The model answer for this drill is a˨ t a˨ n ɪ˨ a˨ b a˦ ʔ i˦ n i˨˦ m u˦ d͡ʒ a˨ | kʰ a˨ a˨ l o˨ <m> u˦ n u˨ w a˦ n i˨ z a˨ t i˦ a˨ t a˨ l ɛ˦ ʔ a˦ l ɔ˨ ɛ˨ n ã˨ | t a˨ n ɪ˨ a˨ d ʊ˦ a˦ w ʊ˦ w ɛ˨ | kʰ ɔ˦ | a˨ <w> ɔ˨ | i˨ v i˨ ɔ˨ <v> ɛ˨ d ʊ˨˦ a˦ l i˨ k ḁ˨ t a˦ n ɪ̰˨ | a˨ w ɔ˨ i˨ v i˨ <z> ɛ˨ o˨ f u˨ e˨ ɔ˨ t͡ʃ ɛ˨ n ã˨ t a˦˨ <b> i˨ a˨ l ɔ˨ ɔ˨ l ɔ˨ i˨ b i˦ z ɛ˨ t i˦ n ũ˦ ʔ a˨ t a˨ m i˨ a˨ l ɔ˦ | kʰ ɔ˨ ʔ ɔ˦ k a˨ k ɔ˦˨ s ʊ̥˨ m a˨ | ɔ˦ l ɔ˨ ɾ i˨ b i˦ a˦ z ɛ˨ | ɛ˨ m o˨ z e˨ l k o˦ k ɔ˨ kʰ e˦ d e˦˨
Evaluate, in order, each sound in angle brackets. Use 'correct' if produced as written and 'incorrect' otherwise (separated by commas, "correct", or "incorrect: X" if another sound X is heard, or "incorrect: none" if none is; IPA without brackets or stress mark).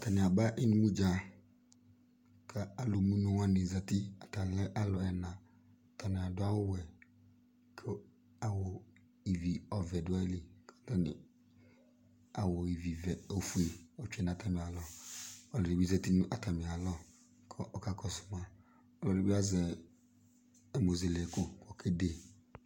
correct, correct, correct, incorrect: v, incorrect: m